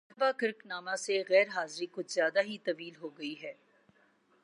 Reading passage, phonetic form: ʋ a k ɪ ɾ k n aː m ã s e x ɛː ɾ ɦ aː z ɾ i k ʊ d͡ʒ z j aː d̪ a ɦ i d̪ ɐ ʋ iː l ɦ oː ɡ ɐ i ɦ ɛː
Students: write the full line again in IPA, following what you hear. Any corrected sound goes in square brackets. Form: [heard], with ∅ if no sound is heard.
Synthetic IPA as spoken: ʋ a k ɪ ɾ k n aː m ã s e [ɣ] ɛː ɾ ɦ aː z ɾ i k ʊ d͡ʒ z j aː d̪ a ɦ i [t̪] ɐ ʋ iː l ɦ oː ɡ ɐ i ɦ ɛː